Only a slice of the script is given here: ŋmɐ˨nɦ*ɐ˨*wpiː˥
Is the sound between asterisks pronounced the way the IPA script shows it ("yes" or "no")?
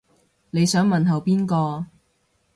yes